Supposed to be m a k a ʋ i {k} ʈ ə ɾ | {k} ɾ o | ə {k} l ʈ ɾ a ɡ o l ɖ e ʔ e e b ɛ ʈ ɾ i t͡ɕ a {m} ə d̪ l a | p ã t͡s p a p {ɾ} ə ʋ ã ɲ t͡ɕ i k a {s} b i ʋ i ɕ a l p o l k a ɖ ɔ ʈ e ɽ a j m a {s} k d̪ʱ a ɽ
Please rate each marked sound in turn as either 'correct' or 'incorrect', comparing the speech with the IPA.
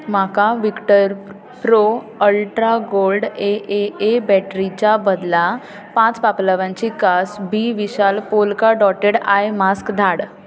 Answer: correct, incorrect: p, incorrect: none, incorrect: b, incorrect: l, correct, correct

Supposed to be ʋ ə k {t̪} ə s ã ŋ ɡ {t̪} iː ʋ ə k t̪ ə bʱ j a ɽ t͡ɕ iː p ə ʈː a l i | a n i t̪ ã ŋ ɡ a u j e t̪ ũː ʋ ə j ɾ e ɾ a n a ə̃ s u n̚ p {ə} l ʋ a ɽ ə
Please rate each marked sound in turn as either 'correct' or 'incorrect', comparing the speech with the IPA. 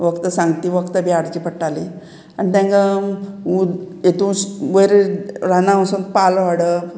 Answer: correct, correct, incorrect: a

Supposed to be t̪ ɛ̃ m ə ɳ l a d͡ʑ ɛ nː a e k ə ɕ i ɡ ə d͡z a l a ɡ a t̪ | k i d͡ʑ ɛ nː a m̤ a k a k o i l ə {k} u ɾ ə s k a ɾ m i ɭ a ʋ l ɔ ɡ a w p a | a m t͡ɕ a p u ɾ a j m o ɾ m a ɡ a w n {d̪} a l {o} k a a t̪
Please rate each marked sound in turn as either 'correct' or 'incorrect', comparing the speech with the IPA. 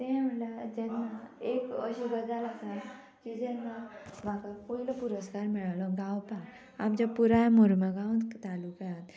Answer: incorrect: p, incorrect: t̪, incorrect: u

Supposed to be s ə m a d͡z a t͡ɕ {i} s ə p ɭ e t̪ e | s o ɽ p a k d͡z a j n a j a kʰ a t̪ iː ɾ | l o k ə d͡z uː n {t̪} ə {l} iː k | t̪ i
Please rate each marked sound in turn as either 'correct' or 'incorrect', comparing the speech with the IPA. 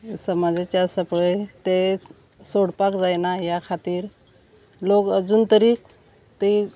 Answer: incorrect: a, correct, incorrect: ɾ

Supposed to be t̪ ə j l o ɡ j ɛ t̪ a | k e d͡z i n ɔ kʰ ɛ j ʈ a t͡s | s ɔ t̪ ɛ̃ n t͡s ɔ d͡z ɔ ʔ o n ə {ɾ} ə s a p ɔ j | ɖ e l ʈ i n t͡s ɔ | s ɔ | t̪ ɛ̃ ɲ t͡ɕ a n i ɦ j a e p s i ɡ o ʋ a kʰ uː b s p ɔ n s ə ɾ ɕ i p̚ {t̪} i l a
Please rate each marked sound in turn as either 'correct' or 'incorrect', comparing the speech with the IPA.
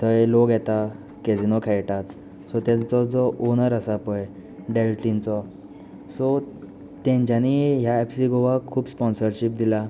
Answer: correct, incorrect: d̪

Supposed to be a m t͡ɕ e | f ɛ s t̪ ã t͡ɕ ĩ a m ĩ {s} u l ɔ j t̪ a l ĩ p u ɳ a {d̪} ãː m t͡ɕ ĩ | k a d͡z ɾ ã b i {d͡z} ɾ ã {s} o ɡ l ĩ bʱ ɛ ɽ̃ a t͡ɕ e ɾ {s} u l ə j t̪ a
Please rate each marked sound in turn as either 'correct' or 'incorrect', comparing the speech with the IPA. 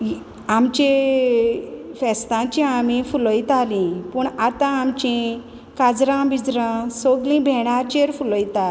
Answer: incorrect: f, incorrect: t̪, correct, correct, incorrect: f

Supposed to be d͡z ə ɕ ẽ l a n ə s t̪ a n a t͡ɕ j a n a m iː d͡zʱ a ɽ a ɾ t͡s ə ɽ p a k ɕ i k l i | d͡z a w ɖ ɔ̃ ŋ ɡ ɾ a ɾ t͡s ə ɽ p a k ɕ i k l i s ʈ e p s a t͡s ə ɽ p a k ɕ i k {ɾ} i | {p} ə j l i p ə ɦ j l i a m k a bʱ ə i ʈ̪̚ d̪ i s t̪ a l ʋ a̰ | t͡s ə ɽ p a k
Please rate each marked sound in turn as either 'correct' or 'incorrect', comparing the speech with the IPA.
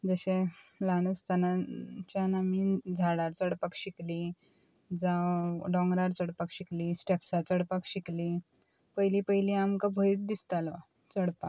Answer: incorrect: l, correct

